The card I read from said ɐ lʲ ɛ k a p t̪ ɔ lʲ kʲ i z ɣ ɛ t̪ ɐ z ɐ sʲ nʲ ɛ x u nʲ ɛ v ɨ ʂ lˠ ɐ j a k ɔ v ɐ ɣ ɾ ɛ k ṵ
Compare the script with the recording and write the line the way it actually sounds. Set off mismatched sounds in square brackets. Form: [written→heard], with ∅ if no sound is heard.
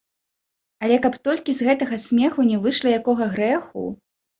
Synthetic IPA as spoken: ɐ lʲ ɛ k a p t̪ ɔ lʲ kʲ i z ɣ ɛ t̪ ɐ [z→ɣ] ɐ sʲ [nʲ→mʲ] ɛ x u nʲ ɛ v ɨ ʂ lˠ ɐ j a k ɔ [v→ɣ] ɐ ɣ ɾ ɛ [k→x] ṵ